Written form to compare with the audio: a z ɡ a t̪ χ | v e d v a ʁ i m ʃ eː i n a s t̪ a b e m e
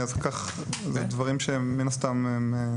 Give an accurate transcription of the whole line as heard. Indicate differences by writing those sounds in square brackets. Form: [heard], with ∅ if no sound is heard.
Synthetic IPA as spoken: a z [k] a [∅] χ | [z] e d v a ʁ i m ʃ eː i n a s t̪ a [m] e m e